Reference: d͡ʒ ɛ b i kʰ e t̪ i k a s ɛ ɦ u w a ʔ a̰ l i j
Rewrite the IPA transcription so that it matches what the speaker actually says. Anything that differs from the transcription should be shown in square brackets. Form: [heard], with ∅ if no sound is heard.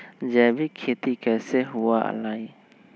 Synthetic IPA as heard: d͡ʒ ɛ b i kʰ e t̪ i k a s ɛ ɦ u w a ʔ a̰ l [a] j